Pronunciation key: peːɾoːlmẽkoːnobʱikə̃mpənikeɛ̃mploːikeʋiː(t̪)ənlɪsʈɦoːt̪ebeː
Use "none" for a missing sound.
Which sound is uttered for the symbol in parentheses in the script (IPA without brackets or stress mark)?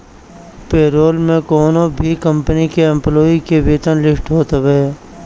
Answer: t̪